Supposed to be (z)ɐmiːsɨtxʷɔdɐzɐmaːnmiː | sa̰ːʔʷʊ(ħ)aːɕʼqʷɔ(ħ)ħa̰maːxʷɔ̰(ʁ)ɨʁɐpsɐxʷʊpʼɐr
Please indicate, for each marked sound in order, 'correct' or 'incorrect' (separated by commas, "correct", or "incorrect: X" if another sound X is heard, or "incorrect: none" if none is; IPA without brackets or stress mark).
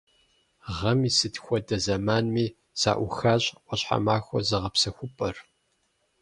incorrect: ʁ, incorrect: x, incorrect: ɕ, incorrect: z